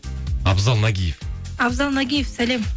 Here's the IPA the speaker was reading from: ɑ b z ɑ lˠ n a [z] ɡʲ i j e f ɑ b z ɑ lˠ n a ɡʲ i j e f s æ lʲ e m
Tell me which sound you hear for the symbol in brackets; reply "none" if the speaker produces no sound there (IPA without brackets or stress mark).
none